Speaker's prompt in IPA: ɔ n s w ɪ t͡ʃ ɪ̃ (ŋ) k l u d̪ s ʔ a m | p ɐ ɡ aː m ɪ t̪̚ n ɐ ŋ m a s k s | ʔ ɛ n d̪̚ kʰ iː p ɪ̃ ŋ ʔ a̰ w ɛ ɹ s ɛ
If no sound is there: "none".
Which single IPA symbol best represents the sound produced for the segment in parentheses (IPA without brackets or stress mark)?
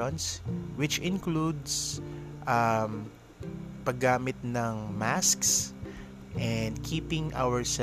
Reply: n